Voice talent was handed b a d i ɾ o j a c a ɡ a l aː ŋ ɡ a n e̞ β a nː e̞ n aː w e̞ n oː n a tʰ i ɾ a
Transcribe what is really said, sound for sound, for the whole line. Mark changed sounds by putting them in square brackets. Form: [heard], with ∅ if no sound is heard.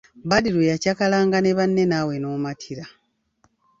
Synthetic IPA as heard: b a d i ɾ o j a c a [k] a l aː ŋ ɡ a n e̞ β a nː e̞ n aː w e̞ n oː [m] a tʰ i ɾ a